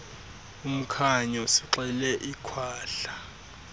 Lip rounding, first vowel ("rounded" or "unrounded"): rounded